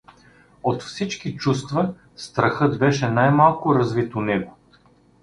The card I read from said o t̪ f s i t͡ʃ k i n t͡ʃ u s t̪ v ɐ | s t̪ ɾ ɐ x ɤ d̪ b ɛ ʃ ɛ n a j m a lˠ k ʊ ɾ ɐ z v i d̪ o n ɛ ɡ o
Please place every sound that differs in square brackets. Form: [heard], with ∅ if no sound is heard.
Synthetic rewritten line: o t̪ f s i t͡ʃ k i [∅] t͡ʃ u s t̪ v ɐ | s t̪ ɾ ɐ x ɤ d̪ b ɛ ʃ ɛ n a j m a lˠ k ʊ ɾ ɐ z v i [t̪] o n ɛ ɡ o